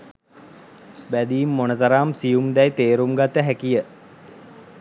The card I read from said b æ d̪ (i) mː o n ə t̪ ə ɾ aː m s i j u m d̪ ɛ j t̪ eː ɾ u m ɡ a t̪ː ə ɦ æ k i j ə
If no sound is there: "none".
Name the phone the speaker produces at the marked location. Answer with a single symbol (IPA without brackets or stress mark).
iː